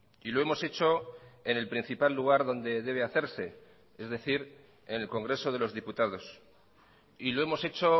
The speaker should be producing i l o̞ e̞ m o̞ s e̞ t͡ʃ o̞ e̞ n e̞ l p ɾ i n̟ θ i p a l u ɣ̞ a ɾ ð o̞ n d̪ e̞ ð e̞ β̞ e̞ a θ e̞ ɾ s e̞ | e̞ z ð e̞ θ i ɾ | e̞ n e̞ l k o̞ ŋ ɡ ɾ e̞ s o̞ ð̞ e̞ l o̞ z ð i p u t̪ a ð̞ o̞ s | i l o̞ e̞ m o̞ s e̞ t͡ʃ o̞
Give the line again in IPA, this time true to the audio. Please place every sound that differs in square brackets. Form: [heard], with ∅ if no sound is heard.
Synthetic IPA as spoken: i l o̞ e̞ m o̞ s e̞ t͡ʃ o̞ e̞ n e̞ l p ɾ i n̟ θ i p a [lː] u ɣ̞ a ɾ ð o̞ n d̪ e̞ ð e̞ β̞ e̞ a θ e̞ ɾ s e̞ | e̞ z ð e̞ θ i ɾ | e̞ n e̞ l k o̞ ŋ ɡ ɾ e̞ s o̞ ð̞ e̞ l o̞ z ð i p u t̪ a ð̞ o̞ s | i l o̞ e̞ m o̞ s e̞ t͡ʃ o̞